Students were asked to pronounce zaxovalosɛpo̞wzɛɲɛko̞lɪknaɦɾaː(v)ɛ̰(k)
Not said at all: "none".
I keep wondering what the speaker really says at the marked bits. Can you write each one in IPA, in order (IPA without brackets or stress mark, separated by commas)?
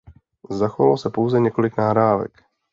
v, k